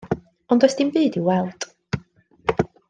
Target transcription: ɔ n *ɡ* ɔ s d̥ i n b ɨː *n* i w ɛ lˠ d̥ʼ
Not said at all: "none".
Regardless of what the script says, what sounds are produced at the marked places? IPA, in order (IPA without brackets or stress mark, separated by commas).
d, d